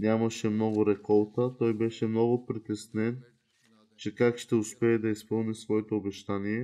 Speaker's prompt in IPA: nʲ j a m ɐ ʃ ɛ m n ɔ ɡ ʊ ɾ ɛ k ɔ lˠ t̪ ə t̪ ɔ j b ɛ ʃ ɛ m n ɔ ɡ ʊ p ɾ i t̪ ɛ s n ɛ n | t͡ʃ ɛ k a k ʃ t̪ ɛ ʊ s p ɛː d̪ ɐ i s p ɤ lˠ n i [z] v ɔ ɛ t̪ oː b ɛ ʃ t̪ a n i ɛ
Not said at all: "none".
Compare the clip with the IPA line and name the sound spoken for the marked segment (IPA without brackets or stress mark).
s